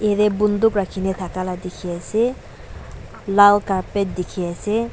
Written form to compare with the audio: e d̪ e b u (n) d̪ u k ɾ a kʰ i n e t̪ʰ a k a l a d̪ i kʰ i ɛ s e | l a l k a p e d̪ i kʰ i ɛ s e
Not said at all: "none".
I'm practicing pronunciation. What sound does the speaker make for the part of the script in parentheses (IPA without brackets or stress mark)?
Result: n